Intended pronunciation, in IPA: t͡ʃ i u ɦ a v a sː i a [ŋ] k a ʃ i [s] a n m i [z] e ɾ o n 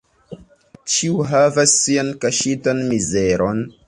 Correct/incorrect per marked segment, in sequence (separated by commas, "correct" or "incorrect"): incorrect, incorrect, correct